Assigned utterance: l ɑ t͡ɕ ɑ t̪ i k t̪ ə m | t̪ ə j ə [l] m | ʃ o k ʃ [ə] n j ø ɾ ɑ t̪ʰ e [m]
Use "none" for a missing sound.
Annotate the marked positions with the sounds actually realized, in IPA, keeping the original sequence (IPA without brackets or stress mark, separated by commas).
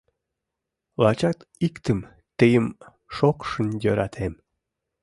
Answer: none, ə, m